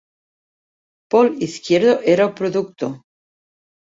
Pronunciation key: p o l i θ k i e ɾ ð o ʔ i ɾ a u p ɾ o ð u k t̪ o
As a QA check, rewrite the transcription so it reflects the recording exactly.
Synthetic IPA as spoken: p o l i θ k j e ɾ ð o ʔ e ɾ a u p ɾ o ð u k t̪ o